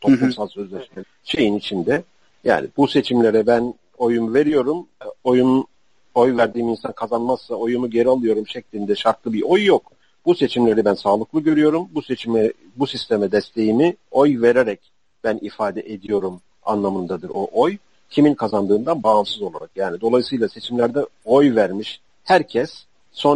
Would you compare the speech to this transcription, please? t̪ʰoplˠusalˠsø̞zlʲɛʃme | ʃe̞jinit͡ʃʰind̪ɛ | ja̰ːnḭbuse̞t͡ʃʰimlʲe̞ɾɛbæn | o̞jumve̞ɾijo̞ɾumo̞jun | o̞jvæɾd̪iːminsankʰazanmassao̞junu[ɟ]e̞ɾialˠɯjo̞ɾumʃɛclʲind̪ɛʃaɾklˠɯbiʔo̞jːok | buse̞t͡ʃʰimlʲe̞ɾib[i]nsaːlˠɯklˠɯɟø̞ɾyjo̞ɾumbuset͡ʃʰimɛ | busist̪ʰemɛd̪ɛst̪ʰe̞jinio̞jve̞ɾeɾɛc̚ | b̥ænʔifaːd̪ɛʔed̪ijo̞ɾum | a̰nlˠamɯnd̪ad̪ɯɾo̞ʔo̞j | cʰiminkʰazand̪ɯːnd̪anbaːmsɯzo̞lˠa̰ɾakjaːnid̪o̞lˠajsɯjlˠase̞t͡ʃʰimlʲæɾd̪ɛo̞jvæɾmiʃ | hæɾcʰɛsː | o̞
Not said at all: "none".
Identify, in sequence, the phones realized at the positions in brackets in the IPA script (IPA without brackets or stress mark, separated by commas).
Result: ɟ, æ